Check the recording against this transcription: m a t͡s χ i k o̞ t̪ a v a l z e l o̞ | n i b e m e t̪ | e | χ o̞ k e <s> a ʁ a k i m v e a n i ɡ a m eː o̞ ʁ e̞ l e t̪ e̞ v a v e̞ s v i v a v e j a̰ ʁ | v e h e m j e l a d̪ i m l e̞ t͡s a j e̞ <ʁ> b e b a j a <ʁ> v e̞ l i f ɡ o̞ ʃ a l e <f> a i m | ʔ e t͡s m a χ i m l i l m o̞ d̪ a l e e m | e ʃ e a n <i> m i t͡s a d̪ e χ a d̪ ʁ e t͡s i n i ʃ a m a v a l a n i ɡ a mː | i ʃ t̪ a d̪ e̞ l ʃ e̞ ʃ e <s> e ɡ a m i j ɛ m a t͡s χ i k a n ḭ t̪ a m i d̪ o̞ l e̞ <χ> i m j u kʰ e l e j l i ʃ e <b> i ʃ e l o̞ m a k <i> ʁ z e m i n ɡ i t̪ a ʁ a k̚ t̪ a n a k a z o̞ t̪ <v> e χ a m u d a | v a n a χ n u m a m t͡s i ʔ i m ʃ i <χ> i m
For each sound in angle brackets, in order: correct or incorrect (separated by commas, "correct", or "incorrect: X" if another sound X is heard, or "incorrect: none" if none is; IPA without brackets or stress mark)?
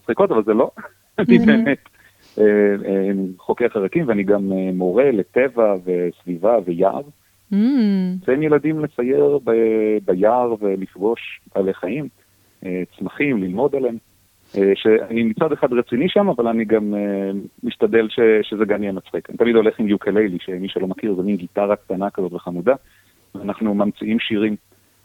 incorrect: χ, correct, correct, incorrect: χ, correct, incorrect: z, correct, incorrect: m, correct, correct, incorrect: ʁ